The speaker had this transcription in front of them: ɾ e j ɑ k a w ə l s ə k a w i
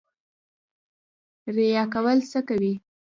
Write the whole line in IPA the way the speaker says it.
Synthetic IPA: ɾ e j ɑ k a w ə l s ə k a w i